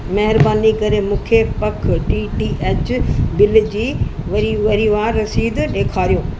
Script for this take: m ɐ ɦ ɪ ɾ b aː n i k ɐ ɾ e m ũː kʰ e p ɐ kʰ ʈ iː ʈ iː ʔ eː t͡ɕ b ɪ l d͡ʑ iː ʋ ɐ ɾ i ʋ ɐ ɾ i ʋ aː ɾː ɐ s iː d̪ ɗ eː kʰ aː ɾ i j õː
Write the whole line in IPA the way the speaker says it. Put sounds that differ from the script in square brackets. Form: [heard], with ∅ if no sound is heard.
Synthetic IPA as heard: m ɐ ɦ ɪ ɾ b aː n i k ɐ ɾ e m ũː kʰ e p ɐ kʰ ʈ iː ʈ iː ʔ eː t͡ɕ b ɪ l d͡ʑ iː ʋ ɐ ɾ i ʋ ɐ ɾ i ʋ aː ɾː ɐ s iː d̪ ɗ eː kʰ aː ɾ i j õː